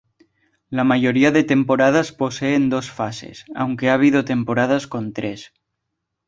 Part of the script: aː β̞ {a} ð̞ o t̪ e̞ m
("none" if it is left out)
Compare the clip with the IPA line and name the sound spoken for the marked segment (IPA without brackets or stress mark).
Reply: i